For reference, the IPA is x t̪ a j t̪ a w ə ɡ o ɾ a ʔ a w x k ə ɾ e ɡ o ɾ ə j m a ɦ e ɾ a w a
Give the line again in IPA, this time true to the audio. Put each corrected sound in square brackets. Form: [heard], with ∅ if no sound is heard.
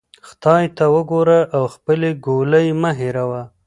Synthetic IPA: x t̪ [ɑ] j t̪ a w ə ɡ o ɾ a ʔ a w x [p] ə [l] e ɡ o [l] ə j m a ɦ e ɾ a w a